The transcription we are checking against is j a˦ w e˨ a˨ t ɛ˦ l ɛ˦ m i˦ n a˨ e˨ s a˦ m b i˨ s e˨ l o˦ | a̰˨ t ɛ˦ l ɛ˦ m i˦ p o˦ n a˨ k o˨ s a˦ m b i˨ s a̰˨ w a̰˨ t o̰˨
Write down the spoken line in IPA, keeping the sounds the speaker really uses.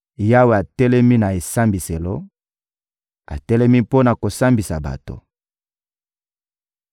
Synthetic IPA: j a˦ w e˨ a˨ t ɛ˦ l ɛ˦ m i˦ n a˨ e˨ s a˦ m b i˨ s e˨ l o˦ | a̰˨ t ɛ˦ l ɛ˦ m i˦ p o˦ n a˨ k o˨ s a˦ m b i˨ s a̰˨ b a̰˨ t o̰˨

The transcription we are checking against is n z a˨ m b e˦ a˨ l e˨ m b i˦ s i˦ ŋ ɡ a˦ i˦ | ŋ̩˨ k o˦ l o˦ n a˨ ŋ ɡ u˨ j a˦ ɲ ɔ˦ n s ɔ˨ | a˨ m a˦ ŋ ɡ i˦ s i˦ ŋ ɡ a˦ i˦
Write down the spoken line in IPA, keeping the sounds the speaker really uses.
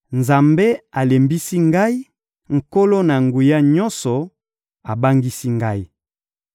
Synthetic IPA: n z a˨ m b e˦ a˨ l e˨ m b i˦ s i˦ ŋ ɡ a˦ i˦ | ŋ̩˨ k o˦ l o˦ n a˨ ŋ ɡ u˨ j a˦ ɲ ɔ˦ n s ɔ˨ | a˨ b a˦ ŋ ɡ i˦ s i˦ ŋ ɡ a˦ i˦

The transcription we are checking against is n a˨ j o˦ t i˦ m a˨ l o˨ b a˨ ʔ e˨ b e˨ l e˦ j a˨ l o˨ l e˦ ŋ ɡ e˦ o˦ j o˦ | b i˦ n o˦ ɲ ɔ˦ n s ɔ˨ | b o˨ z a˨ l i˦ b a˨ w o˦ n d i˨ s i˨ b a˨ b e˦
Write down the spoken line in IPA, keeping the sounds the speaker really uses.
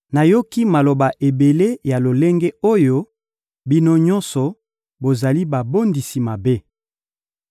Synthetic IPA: n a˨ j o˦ k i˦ m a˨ l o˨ b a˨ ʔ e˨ b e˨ l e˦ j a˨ l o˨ l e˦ ŋ ɡ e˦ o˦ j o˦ | b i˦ n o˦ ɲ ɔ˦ n s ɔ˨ | b o˨ z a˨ l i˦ b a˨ b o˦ n d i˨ s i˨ m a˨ b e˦

